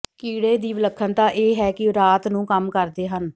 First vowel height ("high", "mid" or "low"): high